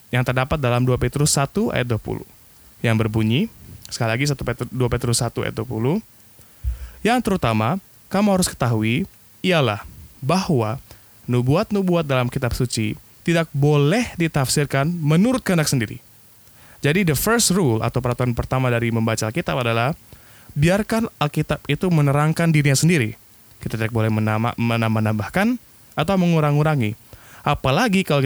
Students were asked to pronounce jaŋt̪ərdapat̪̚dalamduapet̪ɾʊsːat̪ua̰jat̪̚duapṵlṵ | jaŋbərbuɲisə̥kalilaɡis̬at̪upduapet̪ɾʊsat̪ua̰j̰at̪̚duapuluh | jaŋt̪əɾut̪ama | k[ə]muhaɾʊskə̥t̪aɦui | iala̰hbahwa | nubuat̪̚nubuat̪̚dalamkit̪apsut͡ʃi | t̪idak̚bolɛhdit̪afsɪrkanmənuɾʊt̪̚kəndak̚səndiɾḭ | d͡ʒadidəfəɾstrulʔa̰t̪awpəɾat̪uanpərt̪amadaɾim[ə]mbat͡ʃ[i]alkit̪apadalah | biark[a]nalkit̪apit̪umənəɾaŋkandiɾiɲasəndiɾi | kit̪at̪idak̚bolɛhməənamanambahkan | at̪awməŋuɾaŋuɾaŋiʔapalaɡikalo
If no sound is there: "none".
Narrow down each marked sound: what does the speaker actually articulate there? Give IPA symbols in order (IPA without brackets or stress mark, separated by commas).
a, ə, a, a